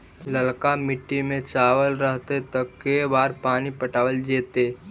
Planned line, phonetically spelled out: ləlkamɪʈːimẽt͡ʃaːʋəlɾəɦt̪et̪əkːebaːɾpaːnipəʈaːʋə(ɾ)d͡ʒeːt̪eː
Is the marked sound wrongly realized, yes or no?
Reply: yes